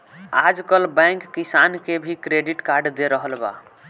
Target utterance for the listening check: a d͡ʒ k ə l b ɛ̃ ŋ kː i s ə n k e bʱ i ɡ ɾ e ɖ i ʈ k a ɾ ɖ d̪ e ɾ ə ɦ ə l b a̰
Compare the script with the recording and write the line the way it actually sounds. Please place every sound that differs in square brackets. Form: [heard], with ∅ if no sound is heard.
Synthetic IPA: a d͡ʒ k ə l b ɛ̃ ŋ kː i s [a] n k e bʱ i [k] ɾ e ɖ i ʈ k a ɾ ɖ d̪ e ɾ ə ɦ ə l b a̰